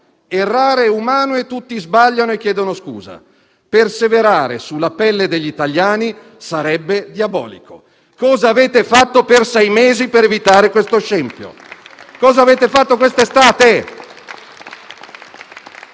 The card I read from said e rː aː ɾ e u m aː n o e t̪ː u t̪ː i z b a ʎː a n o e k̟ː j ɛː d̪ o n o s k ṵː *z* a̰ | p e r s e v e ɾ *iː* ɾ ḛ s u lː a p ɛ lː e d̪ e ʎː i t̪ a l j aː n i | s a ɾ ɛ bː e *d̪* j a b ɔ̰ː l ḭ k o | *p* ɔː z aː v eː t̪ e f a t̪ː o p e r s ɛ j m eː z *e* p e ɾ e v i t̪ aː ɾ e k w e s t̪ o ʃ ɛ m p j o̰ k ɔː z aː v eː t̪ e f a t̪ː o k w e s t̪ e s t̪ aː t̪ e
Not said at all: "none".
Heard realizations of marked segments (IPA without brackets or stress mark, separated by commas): z, aː, d̪, k, i